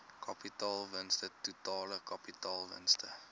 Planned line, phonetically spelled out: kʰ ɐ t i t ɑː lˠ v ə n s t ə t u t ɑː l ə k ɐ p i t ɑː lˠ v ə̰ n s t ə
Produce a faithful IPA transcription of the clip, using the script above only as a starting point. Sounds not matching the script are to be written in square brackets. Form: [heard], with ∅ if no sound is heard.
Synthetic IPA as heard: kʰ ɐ [p] i t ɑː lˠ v ə n s t ə t u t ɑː l ə k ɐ p i t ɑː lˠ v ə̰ n s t ə